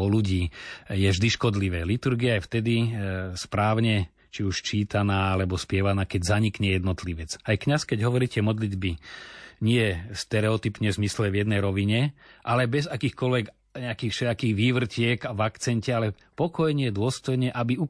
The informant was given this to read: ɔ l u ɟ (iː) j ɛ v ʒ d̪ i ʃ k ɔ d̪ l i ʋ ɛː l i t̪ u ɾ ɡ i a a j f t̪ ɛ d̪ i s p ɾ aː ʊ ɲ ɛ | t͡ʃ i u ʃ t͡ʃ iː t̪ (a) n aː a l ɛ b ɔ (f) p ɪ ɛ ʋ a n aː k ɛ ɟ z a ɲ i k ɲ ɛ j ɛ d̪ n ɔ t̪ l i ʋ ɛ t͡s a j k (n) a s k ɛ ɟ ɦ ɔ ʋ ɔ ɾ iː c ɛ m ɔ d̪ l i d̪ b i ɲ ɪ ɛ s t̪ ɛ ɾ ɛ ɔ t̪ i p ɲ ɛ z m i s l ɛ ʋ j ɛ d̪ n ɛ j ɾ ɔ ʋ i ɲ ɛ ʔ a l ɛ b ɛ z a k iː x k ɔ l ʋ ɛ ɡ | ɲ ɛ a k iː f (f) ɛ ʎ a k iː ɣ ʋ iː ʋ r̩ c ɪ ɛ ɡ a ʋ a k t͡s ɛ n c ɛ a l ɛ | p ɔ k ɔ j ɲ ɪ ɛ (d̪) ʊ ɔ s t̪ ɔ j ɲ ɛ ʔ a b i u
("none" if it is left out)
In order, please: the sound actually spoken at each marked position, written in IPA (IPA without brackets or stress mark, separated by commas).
iː, a, s, ɲ, ʃ, d̪